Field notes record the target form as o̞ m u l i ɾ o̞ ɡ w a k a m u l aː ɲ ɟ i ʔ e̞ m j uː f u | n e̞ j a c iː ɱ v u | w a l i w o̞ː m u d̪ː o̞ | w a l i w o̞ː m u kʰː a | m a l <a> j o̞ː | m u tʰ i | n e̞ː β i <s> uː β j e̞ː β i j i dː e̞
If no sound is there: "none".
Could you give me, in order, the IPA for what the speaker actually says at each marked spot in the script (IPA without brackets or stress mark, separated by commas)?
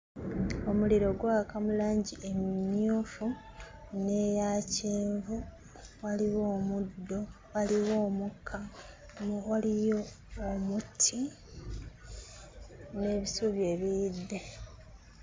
i, s